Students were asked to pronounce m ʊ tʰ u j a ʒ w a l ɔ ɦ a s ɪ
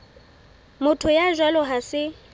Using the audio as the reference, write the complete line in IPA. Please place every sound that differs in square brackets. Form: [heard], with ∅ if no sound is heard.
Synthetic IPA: m ʊ tʰ [ʊ] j a ʒ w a l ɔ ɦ a s ɪ